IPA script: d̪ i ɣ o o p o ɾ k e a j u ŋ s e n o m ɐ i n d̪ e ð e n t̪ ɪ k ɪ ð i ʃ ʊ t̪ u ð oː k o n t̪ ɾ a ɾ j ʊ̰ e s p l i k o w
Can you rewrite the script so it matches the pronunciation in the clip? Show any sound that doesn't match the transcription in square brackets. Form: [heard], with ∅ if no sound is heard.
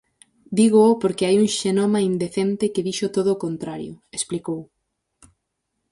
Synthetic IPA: d̪ i ɣ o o p o ɾ k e a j u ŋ [ʃ] e n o m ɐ i n d̪ e [θ] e n t̪ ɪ k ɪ ð i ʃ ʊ t̪ [o] ð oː k o n t̪ ɾ a ɾ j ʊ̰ e s p l i k o w

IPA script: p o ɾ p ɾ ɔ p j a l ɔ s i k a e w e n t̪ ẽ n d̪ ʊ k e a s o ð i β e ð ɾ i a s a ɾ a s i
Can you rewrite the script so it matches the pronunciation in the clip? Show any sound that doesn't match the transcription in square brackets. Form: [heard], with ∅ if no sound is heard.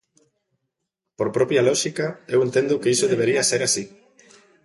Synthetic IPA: p o ɾ p ɾ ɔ p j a l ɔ [ʃ] i k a e w e n t̪ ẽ n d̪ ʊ k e [i] s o ð [e] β e [∅] ɾ i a s [e] ɾ a s i

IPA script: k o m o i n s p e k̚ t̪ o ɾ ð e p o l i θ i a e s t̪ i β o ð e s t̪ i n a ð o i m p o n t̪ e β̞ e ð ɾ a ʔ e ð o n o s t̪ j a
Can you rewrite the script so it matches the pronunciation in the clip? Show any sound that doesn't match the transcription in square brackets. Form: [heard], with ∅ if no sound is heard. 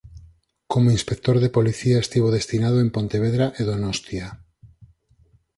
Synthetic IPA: k o m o i n s p e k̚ t̪ o ɾ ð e p o l i θ i a e s t̪ i β o ð e s t̪ i n a ð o [e] m p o n t̪ e β̞ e ð ɾ a ʔ e ð o n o s t̪ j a

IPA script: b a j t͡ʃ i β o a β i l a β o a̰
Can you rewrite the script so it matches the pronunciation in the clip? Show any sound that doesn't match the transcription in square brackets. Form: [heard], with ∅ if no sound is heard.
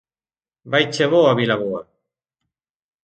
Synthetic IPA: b a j t͡ʃ [e] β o a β i l a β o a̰

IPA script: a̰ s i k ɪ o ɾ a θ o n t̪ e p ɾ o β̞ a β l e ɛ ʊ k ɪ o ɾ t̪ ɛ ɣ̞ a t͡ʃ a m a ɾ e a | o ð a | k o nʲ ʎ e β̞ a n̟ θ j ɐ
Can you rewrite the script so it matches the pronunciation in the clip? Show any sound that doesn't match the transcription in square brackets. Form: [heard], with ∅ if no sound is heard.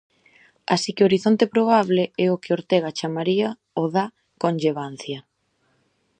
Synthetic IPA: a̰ s i k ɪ o ɾ [i] θ o n t̪ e p ɾ o β̞ a β l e ɛ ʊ k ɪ o ɾ t̪ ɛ ɣ̞ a t͡ʃ a m a ɾ [i] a | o ð a | k o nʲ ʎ e β̞ a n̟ θ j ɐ

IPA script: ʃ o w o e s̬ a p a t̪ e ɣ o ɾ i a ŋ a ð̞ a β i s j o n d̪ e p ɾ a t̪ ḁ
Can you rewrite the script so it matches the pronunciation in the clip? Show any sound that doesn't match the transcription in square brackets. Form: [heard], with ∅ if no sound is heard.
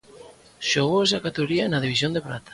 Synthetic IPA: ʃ o [ɣ] o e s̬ a [k] a t̪ e ɣ o ɾ i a [n] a ð̞ [i] β i s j o n d̪ e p ɾ a t̪ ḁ

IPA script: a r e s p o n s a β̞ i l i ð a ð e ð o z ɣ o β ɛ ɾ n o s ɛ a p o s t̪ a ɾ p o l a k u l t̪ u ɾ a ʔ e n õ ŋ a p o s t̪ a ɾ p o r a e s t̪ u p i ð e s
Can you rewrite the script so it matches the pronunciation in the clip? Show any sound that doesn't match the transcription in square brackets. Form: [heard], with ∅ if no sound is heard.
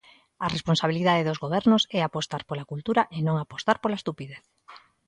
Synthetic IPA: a r e s p o n s a β̞ i l i ð a ð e ð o z ɣ o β ɛ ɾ n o s ɛ a p o s t̪ a ɾ p o l a k u l t̪ u ɾ a ʔ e n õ ŋ a p o s t̪ a ɾ p o [l] a e s t̪ u p i ð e [θ]

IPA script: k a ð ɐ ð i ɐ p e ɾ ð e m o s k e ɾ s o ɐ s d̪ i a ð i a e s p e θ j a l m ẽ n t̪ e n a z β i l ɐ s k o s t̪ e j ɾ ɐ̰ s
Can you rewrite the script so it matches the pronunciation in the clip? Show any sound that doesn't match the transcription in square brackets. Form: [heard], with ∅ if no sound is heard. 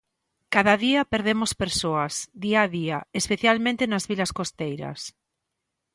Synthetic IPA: k a ð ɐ ð i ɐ p e ɾ ð e m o s [p] e ɾ s o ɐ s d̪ i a ð i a e s p e θ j a l m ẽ n t̪ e n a z β i l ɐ s k o s t̪ e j ɾ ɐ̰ s

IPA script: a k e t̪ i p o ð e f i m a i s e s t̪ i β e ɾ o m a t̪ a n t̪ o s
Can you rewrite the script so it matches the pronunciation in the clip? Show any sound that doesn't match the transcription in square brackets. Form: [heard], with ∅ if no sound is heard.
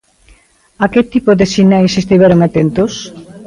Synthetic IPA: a k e t̪ i p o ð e [s] i [n] a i s e s t̪ i β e ɾ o [ŋ] a t̪ [e] n t̪ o s

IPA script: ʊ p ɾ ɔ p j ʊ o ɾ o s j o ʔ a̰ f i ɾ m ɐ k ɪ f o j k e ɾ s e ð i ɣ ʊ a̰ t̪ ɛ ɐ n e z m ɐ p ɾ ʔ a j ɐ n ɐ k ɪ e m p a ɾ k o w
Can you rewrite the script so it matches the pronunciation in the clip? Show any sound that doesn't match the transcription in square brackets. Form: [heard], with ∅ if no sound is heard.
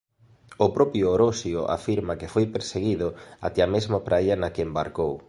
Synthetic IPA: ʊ p ɾ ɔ p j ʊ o ɾ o s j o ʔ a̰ f i ɾ m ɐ k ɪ f o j [p] e ɾ s e [ɣ] i [ð] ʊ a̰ t̪ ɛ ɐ [m] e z m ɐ p ɾ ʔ a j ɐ n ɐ k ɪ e m [b] a ɾ k o w

